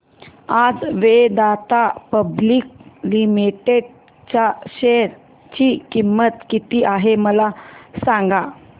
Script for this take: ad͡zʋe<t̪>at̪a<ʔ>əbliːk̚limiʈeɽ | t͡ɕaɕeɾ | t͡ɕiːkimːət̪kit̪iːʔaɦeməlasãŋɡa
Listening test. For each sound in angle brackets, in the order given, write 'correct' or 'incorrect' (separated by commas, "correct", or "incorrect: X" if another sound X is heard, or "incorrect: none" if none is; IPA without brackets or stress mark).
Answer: incorrect: d̪, incorrect: p